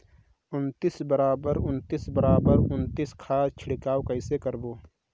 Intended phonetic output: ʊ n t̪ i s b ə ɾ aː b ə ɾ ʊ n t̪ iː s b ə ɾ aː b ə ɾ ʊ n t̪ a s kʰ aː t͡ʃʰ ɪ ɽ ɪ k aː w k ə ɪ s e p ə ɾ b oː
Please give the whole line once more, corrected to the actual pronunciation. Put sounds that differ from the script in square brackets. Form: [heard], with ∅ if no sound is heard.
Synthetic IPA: ʊ n t̪ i s b ə ɾ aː b ə ɾ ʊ n t̪ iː s b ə ɾ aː b ə ɾ ʊ n t̪ [i] s kʰ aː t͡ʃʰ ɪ ɽ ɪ k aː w k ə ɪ s e [k] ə ɾ b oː